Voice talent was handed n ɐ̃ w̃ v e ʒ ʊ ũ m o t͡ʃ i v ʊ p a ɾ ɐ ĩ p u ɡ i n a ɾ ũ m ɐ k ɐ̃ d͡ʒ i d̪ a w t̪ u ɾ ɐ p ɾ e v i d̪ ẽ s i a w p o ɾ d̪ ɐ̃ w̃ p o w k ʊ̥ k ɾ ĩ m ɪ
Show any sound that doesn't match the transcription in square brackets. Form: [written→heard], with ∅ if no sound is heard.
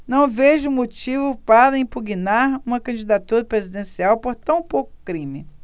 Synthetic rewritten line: n ɐ̃ w̃ v e ʒ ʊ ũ m o t͡ʃ i v ʊ p a ɾ ɐ ĩ p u ɡ i n a ɾ ũ m ɐ k ɐ̃ d͡ʒ i d̪ a [w→∅] t̪ u ɾ ɐ p ɾ e [v→z] i d̪ ẽ s i a w p o ɾ [d̪→t̪] ɐ̃ w̃ p o w k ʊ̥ k ɾ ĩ m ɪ